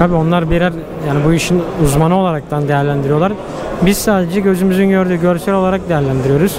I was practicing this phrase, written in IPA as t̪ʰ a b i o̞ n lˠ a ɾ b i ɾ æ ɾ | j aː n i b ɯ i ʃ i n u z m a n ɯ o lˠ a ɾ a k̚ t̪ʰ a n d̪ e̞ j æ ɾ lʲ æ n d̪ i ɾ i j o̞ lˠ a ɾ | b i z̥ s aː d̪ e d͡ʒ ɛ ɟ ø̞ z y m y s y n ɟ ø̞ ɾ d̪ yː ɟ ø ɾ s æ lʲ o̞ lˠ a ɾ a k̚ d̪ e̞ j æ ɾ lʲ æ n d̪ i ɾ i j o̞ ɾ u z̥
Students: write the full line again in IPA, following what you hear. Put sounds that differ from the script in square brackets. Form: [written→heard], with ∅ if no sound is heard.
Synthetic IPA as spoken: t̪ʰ a b i o̞ n lˠ a ɾ b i ɾ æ ɾ | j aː n i b [ɯ→u] i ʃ i n u z m a n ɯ o lˠ a ɾ a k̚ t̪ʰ a n d̪ e̞ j æ ɾ lʲ æ n d̪ i ɾ i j o̞ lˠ a ɾ | b i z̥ s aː d̪ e d͡ʒ ɛ ɟ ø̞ z y m y [s→z] y n ɟ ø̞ ɾ d̪ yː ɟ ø ɾ s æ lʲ o̞ lˠ a ɾ a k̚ d̪ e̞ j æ ɾ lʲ æ n d̪ i ɾ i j o̞ ɾ u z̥